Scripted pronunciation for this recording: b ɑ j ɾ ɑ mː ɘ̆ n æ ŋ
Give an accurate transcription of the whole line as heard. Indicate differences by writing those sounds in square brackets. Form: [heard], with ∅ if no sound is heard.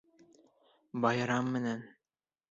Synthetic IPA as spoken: b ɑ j ɾ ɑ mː ɘ̆ n æ [n]